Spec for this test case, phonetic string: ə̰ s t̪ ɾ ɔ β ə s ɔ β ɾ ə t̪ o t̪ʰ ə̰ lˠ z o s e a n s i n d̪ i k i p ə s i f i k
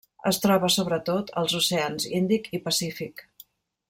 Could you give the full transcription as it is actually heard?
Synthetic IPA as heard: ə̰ s t̪ ɾ ɔ β ə s o β ɾ ə t̪ o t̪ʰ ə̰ lˠ z u s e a n z i n d̪ i k i p ə s i f i k